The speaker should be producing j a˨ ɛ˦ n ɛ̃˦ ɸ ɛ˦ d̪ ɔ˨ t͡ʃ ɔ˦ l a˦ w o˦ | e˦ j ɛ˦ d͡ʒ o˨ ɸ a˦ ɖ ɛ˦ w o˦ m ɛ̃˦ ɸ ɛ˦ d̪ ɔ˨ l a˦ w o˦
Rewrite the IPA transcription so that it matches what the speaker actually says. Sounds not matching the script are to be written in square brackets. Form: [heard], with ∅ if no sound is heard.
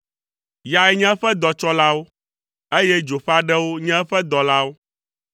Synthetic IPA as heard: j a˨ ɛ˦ [ɲ] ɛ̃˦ ɸ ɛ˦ d̪ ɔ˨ t͡ʃ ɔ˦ l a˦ w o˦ | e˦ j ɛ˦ d͡ʒ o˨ ɸ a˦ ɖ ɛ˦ w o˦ [ɲ] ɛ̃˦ ɸ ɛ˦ d̪ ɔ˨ l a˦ w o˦